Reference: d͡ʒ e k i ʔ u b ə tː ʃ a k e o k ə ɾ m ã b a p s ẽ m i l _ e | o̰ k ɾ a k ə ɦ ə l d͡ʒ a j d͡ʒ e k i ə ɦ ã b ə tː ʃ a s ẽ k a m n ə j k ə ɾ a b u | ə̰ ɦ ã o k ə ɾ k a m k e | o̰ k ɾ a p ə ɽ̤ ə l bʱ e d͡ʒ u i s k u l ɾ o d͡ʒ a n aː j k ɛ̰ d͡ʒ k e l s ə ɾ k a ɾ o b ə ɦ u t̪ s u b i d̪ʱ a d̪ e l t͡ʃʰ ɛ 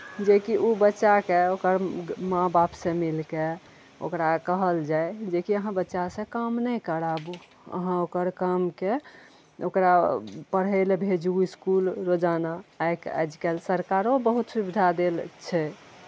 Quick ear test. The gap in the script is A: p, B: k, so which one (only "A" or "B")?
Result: B